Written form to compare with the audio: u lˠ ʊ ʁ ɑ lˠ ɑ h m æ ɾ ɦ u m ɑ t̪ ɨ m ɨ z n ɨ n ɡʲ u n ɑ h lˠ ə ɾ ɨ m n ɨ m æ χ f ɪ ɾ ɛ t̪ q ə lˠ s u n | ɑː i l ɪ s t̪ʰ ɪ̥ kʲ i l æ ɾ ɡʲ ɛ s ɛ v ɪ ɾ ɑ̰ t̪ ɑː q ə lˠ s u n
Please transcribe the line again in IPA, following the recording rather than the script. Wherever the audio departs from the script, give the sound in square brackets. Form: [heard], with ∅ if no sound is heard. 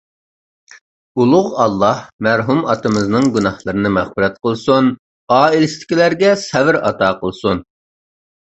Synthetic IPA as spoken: u lˠ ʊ ʁ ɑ [lˠː] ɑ h m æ ɾ ɦ u m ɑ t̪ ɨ m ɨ z n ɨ [ŋ] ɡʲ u n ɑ h lˠ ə ɾ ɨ [∅] n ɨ m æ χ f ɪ ɾ ɛ t̪ q ə lˠ s u n | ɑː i l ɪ s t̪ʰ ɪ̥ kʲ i l æ ɾ ɡʲ ɛ s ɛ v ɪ ɾ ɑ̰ t̪ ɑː q ə lˠ s u n

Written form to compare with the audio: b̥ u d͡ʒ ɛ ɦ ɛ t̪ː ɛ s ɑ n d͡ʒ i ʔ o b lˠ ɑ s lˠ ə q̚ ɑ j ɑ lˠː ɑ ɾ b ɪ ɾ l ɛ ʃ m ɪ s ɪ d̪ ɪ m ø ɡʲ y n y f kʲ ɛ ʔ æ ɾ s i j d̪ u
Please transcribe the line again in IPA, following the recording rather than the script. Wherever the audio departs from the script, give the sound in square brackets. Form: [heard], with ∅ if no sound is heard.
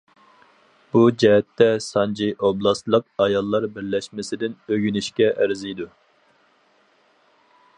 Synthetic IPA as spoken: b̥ u d͡ʒ ɛ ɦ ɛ t̪ː ɛ s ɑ n d͡ʒ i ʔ o b lˠ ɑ s lˠ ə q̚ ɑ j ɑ lˠː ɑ ɾ b ɪ ɾ l ɛ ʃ m ɪ s ɪ d̪ ɪ [n] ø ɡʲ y n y [ʃ] kʲ ɛ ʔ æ ɾ [z] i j d̪ u

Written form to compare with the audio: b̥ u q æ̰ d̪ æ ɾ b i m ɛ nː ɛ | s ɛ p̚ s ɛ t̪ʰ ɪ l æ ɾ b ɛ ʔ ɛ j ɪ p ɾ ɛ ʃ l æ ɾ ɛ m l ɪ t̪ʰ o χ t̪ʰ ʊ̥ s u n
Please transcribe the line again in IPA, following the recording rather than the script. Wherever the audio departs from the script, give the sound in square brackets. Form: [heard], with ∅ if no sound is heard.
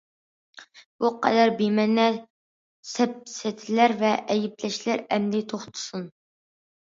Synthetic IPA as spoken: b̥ u q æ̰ d̪ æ ɾ b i m ɛ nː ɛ | s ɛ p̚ s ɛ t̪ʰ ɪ l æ ɾ [v] ɛ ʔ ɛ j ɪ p [l] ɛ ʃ l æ ɾ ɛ m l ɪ t̪ʰ o χ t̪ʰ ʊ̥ s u n

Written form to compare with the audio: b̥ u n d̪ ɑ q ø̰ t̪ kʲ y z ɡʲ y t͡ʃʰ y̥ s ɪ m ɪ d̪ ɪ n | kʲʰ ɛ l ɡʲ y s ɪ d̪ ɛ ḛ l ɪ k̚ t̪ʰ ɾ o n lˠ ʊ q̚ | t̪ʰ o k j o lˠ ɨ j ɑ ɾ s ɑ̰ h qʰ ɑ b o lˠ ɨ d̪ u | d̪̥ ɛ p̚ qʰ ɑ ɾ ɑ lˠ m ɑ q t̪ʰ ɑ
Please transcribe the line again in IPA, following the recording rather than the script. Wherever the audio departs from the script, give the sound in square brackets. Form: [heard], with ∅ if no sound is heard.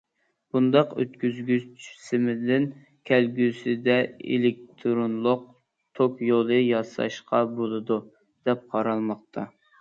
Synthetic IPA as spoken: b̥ u n d̪ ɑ q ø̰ t̪ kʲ y z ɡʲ y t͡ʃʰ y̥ s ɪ m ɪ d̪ ɪ n | kʲʰ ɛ l ɡʲ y s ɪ d̪ ɛ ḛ l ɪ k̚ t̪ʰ ɾ o n lˠ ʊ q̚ | t̪ʰ o k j o lˠ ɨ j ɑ [∅] s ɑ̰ [ʃ] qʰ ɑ b o lˠ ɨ d̪ u | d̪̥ ɛ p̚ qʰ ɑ ɾ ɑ lˠ m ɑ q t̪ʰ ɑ

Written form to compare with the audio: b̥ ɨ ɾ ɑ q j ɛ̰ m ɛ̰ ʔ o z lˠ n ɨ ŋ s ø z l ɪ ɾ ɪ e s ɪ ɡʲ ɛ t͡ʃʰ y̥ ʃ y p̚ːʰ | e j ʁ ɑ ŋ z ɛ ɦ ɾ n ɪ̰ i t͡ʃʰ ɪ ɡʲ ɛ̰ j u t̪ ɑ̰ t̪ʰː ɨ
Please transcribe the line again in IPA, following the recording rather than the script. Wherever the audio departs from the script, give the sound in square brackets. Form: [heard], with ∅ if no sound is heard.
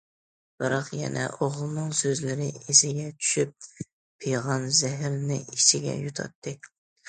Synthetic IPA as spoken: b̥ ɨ ɾ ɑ q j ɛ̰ [n] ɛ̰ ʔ o [ʁ] lˠ n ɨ ŋ s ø z l ɪ ɾ ɪ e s ɪ ɡʲ ɛ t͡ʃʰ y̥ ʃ y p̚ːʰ | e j ʁ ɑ [n] z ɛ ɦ ɾ n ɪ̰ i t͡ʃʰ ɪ ɡʲ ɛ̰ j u [t̪ʰ] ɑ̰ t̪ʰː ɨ

